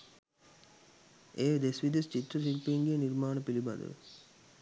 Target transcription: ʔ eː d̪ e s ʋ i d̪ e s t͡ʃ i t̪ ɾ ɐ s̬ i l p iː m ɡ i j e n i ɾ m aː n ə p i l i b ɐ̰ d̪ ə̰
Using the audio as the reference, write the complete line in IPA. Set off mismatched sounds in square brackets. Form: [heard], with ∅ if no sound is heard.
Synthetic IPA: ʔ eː d̪ e s ʋ i d̪ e s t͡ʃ i t̪ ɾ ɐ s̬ i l p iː [ŋ] ɡ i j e n i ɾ m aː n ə p i l i b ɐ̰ d̪ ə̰